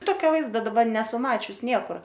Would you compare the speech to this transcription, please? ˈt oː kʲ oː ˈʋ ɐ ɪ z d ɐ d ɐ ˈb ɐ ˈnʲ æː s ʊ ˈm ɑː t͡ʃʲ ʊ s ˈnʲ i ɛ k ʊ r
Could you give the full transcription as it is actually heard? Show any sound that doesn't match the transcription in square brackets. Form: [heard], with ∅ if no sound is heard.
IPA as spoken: ˈt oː kʲ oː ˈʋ ɐ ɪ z d ɐ d ɐ ˈb ɐ ˈnʲ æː s ʊ ˈm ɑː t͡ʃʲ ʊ s ˈnʲ i ɛ k ʊ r